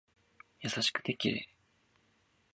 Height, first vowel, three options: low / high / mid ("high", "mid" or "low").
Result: low